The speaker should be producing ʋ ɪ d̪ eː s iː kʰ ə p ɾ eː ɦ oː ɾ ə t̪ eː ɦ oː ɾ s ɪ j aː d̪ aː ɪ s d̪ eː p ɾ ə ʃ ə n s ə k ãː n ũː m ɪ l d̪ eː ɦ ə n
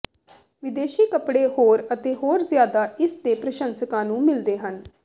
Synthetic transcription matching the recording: ʋ ɪ d̪ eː ʃ iː k ə p ɽ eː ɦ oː ɾ ə t̪ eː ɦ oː ɾ z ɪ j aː d̪ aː ɪ s d̪ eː p ɾ ə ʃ ə n s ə k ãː n ũː m ɪ l d̪ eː ɦ ə n